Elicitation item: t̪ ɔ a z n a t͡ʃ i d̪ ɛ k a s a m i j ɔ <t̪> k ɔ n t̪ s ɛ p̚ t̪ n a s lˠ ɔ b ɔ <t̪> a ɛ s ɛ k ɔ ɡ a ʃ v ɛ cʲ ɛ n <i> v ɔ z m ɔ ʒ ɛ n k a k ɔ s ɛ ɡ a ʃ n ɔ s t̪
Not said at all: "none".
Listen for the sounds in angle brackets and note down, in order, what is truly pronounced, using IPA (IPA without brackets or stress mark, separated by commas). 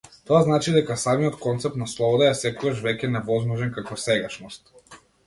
t̪, d̪, ɛ